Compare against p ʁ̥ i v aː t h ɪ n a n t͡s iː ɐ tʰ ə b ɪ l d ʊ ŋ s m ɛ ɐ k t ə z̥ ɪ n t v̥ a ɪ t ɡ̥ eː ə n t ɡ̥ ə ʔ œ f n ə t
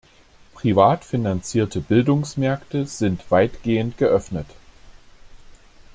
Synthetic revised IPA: p ʁ̥ i v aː t f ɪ n a n t͡s iː ɐ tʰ ə b ɪ l d ʊ ŋ s m ɛ ɐ k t ə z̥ ɪ n t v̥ a ɪ t ɡ̥ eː ə n t ɡ̥ ə ʔ œ f n ə t